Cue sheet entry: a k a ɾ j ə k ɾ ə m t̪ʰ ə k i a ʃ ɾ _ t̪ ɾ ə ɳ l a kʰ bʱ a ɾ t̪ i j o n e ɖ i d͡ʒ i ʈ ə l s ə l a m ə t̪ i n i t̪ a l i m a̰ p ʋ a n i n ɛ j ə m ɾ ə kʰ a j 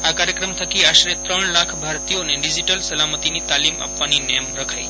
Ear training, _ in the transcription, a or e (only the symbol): e